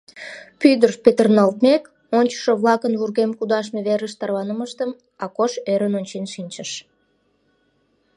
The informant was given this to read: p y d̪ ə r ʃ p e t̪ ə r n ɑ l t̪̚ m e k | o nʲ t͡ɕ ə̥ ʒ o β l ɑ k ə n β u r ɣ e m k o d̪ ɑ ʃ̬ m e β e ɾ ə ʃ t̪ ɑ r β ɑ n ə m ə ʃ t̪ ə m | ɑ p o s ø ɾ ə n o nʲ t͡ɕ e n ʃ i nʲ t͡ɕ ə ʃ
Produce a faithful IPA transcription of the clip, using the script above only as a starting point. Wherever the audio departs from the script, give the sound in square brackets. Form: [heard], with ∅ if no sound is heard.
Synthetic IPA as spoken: p y d̪ ə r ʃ p e t̪ ə r n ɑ l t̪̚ m e k | o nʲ t͡ɕ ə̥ [ʃ] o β l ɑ k ə n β u r ɣ e m k [u] d̪ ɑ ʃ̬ m e β e ɾ ə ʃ t̪ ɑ r β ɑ n ə m ə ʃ t̪ ə m | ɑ [k] o [ʃ] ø ɾ ə n o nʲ t͡ɕ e n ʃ i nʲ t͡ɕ ə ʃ